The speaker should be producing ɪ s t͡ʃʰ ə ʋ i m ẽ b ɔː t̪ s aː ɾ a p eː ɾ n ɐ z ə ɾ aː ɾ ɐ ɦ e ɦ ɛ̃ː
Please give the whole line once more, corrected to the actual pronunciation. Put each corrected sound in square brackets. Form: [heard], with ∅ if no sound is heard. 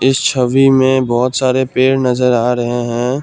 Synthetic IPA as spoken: ɪ s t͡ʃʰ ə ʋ i m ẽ b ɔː t̪ s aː ɾ [e] p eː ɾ n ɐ z ə ɾ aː ɾ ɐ ɦ e ɦ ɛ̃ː